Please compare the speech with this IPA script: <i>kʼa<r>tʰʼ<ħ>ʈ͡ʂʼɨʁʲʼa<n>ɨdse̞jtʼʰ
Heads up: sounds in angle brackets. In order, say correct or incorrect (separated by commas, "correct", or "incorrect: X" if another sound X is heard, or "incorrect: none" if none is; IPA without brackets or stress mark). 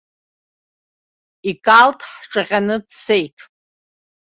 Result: correct, incorrect: l, correct, correct